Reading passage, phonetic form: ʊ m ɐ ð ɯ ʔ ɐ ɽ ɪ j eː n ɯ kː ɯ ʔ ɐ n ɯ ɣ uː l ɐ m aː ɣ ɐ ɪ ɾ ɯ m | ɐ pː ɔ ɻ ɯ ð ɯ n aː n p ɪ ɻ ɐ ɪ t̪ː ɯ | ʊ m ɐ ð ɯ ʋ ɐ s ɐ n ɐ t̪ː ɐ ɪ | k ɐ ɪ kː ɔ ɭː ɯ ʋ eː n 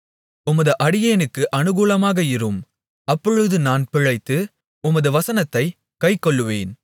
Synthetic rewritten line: ʊ m ɐ ð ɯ ʔ ɐ ɽ ɪ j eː n ɯ kː ɯ ʔ ɐ n ɯ ɣ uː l ɐ m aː ɣ ɐ ɪ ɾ ɯ m | ɐ pː ɔ ɻ ɯ ð ɯ n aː n p ɪ ɻ ɐ ɪ t̪ː ɯ | ʊ m ɐ ð ɯ ʋ ɐ s ɐ n ɐ t̪ː ɐ ɪ | k ɐ ɪ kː ɔ ɭː ɯ ʋ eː n